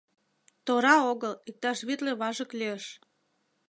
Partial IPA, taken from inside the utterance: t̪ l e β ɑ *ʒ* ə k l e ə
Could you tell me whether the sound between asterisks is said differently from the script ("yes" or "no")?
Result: no